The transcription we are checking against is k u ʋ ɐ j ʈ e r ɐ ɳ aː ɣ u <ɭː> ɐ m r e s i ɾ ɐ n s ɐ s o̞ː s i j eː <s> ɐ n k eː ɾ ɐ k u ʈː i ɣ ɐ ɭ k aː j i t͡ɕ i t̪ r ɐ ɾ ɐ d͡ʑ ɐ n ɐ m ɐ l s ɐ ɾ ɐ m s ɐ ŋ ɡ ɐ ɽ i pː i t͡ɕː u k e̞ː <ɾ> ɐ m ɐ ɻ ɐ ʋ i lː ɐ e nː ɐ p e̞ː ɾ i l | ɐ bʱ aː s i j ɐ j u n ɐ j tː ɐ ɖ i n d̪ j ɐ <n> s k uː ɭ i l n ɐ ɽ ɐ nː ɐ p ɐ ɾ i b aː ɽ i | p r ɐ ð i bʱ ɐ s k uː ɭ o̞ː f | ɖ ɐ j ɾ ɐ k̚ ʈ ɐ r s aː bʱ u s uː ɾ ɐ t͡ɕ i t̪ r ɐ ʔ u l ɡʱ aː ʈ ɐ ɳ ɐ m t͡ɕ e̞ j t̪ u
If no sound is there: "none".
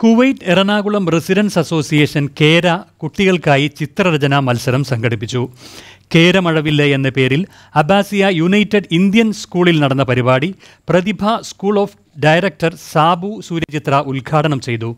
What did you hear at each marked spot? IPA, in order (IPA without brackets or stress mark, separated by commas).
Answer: ɭ, ʂ, ɾ, n